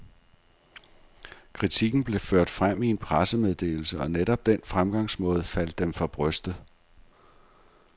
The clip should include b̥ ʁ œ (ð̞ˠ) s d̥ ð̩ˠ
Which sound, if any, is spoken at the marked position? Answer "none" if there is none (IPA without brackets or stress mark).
none